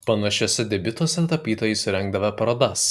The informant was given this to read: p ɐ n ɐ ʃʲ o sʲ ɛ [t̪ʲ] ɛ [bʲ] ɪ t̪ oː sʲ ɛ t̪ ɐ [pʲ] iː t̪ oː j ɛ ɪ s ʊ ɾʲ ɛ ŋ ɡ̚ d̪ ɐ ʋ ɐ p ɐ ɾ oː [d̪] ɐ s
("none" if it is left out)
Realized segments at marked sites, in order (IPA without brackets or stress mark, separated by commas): d̪ʲ, bʲ, pʲ, d̪